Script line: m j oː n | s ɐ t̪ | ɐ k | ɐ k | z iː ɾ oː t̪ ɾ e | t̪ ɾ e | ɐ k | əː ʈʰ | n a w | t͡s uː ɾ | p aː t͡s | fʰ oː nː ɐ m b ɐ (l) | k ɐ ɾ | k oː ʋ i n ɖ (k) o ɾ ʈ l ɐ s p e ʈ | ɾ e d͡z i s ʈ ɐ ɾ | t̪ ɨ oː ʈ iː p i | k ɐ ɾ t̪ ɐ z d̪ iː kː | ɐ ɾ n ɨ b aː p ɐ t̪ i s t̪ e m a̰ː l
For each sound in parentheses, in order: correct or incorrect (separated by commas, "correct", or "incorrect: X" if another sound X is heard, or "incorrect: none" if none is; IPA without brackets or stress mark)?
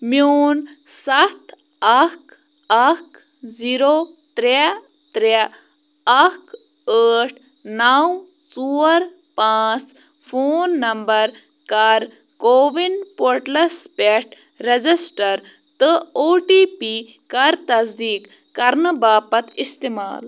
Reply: incorrect: ɾ, incorrect: p